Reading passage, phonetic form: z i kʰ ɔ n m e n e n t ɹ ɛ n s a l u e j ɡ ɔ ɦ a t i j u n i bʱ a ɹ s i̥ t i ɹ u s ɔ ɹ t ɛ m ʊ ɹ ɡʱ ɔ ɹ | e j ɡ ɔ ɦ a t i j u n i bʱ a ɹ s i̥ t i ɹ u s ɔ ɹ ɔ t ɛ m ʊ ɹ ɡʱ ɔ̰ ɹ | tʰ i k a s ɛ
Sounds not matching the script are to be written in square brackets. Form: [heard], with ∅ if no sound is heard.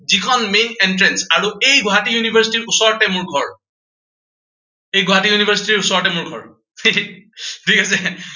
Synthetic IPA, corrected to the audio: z i kʰ ɔ n m e n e n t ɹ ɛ n s a [ɹ] u e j ɡ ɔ ɦ a t i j u n i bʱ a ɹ s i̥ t i ɹ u s ɔ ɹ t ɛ m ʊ ɹ ɡʱ ɔ ɹ | e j ɡ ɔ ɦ a t i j u n i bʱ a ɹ s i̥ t i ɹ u s ɔ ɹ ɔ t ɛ m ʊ ɹ ɡʱ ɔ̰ ɹ | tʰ i k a s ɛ